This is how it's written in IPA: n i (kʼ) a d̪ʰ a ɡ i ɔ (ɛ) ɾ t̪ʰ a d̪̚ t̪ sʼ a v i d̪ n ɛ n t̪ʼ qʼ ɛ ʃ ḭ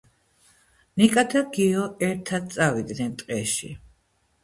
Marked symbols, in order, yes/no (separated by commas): yes, yes